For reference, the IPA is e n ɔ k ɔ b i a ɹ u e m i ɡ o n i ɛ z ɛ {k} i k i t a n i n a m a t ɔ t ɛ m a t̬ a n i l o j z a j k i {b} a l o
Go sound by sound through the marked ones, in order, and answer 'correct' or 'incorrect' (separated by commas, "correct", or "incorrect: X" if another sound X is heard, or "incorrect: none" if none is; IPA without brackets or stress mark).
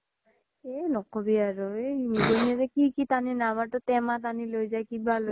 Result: correct, correct